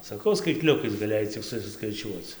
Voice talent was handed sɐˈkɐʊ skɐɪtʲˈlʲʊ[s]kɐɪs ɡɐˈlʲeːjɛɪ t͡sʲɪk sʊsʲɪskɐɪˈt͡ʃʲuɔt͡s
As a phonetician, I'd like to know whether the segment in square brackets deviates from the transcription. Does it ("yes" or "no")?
yes